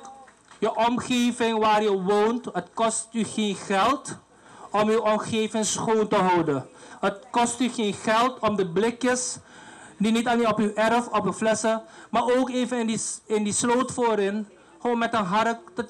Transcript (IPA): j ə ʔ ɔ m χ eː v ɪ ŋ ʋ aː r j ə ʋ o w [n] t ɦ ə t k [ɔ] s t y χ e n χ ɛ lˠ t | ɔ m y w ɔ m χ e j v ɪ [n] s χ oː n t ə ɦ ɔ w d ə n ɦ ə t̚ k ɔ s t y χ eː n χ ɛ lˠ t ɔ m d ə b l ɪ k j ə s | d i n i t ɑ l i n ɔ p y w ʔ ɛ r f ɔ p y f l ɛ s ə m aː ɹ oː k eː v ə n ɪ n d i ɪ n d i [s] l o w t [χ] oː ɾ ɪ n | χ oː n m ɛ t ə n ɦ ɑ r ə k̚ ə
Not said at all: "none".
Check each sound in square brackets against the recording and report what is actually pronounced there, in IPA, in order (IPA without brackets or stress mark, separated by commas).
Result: n, ɔ, ŋ, s, f